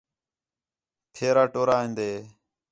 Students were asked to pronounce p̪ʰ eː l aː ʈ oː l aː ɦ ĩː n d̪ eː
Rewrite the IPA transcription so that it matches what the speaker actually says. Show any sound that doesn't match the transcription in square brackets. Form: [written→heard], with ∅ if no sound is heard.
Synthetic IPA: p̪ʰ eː [l→ɾ] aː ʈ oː [l→ɾ] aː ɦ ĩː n d̪ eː